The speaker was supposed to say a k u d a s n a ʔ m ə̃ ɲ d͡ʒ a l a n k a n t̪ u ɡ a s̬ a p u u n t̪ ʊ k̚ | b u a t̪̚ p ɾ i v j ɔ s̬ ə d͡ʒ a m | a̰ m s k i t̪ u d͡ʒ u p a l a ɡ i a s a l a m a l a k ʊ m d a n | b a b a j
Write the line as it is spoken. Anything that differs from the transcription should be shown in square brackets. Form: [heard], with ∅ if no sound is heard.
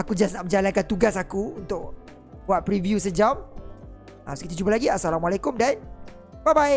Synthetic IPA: a k u [d͡ʒ] a s n a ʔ m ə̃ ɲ d͡ʒ a l a n k a n t̪ u ɡ a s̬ a [k] u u n t̪ ʊ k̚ | b u a t̪̚ p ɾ i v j [u] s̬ ə d͡ʒ a m | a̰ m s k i t̪ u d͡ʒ u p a l a ɡ i a s a l a m a l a k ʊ m d a n | b a b a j